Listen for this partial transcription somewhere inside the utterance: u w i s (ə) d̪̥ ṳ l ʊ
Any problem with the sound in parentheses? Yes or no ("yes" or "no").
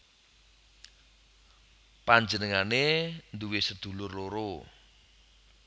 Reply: no